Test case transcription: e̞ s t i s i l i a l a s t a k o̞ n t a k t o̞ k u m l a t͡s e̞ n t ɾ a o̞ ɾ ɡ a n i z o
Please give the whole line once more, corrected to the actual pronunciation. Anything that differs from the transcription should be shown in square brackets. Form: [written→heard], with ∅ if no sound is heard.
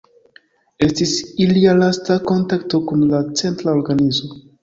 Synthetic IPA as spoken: e̞ s t i s i l i a l a s t a k o̞ n t a k t o̞ k u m l a t͡s e̞ n t ɾ a o̞ ɾ ɡ a n i z o

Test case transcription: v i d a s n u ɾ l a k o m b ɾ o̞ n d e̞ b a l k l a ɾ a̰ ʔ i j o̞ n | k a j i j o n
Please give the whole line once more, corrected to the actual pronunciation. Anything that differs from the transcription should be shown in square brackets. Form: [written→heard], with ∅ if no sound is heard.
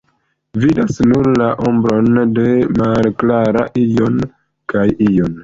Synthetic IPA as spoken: v i d a s n u ɾ l a [k→ʔ] o m b ɾ o̞ n d e̞ [b→m] a l k l a ɾ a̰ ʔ i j o̞ n | k a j i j o n

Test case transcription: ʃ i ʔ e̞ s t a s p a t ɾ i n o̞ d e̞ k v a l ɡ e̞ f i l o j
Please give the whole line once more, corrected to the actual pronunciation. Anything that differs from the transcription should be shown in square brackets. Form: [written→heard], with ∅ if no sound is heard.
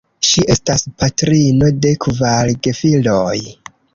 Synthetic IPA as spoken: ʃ i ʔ e̞ s t a s p a t ɾ i n o̞ d e̞ k v a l ɡ e̞ f i l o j

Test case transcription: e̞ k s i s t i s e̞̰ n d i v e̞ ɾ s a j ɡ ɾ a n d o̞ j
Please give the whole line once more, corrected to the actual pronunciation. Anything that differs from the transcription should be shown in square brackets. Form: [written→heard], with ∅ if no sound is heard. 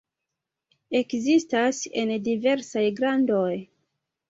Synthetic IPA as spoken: e̞ k [s→z] i s t [i→a] s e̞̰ n d i v e̞ ɾ s a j ɡ ɾ a n d o̞ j

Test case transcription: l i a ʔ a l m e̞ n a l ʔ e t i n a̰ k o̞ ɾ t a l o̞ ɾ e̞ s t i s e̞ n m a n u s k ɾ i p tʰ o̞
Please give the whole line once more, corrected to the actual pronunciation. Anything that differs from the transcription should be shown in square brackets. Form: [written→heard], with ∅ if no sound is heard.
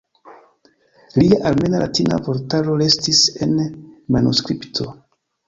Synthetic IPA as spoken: l i a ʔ a l m e̞ n a l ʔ [e→a] t i n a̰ [k→p] o̞ ɾ t a l o̞ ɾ e̞ s t i s e̞ n m a n u s k ɾ i p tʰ o̞

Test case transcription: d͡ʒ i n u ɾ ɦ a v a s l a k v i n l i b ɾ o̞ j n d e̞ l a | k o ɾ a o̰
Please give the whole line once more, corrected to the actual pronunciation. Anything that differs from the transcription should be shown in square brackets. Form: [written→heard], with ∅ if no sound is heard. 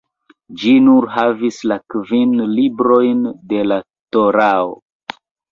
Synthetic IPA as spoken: d͡ʒ i n u ɾ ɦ a v [a→i] s l a k v i n l i b ɾ o̞ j n d e̞ l a | [k→t] o ɾ a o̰

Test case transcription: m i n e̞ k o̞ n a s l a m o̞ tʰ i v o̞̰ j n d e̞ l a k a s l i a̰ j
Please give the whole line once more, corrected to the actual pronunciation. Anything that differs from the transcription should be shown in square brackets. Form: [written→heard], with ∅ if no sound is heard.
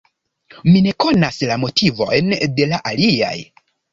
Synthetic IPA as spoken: m i n e̞ k o̞ n a s l a m o̞ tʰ i v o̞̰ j n d e̞ l a [k→ʔ] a [s→∅] l i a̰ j

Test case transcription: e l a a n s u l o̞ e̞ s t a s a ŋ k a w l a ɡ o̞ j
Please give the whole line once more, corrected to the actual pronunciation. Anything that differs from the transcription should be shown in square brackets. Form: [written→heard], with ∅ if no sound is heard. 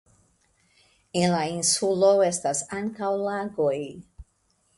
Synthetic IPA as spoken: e l a [a→i] n s u l o̞ e̞ s t a s a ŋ k a w l a ɡ o̞ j

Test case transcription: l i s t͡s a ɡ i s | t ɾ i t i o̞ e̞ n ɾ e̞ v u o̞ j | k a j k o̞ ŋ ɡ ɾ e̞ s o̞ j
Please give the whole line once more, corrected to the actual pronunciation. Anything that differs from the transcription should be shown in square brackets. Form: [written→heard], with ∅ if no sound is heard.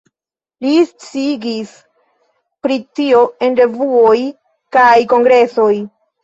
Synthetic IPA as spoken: l i s t͡s [a→i] ɡ i s | [t→p] ɾ i t i o̞ e̞ n ɾ e̞ v u o̞ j | k a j k o̞ ŋ ɡ ɾ e̞ s o̞ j

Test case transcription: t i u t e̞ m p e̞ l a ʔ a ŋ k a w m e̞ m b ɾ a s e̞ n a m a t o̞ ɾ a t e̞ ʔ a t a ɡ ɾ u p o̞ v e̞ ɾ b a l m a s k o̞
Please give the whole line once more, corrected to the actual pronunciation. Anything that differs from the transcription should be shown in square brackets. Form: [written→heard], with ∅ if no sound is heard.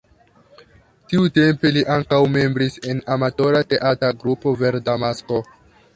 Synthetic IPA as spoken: t i u t e̞ m p e̞ l [a→i] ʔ a ŋ k a w m e̞ m b ɾ [a→i] s e̞ n a m a t o̞ ɾ a t e̞ ʔ a t a ɡ ɾ u p o̞ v e̞ ɾ [b→d] a [l→∅] m a s k o̞

